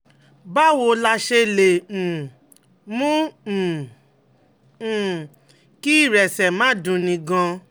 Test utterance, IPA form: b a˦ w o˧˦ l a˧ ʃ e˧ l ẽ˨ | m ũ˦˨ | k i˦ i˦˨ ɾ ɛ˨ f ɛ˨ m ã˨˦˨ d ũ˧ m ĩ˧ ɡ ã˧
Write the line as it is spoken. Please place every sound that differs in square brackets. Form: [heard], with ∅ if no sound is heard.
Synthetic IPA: b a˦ w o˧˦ l a˧ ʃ e˧ l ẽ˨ | m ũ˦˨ | k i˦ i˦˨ ɾ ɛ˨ [s] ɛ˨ m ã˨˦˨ d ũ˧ [n] ĩ˧ ɡ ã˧